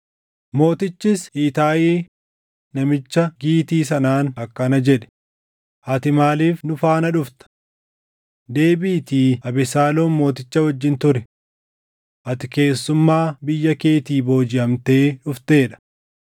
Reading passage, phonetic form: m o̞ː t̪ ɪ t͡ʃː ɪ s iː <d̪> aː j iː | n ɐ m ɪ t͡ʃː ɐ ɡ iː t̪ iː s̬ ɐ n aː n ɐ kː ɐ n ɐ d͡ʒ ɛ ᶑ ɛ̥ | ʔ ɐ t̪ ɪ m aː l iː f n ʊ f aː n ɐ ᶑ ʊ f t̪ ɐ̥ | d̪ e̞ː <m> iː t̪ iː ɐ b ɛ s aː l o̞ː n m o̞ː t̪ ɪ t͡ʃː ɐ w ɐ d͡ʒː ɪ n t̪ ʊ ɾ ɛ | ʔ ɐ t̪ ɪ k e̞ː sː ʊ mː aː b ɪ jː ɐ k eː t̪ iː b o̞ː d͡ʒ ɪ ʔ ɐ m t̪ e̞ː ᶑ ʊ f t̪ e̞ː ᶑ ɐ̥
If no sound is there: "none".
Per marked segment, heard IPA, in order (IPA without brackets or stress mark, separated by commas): t̪, b